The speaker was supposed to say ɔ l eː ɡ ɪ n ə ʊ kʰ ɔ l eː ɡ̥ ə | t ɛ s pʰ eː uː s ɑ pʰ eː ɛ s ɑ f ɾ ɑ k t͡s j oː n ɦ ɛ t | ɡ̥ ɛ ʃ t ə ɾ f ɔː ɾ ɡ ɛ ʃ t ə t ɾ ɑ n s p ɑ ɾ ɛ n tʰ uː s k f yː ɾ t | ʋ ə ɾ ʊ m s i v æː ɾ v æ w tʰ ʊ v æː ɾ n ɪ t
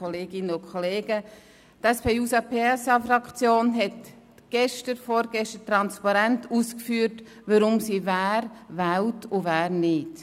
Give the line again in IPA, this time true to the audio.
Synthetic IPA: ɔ l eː ɡ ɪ n ə ʊ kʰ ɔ l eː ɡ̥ ə | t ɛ s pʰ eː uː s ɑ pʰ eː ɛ s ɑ f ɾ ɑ k t͡s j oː n ɦ ɛ t | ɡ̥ ɛ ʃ t ə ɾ f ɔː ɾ ɡ ɛ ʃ t ə t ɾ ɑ n s p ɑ ɾ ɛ n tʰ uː s k f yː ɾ t | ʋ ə ɾ ʊ m s i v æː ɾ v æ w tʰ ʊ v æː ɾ n ɪ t

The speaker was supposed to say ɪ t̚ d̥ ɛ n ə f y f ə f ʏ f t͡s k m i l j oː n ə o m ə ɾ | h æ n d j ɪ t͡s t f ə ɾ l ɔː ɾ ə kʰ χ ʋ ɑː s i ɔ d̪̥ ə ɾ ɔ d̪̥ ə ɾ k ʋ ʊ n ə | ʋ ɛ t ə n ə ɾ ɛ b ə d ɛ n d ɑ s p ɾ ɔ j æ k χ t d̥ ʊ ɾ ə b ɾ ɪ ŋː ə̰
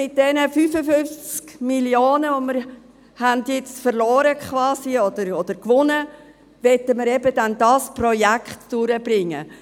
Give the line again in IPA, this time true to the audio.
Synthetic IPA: ɪ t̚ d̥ ɛ n ə f y f ə f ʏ f t͡s k m i l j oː n ə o m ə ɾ | h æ n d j ɪ t͡s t f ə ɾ l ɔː ɾ ə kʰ χ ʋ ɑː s i ɔ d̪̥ ə ɾ ɔ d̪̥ ə ɾ k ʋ ʊ n ə | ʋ ɛ t ə m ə ɾ ɛ b ə d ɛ n d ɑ s p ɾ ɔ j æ k χ t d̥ ʊ ɾ ə b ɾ ɪ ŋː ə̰

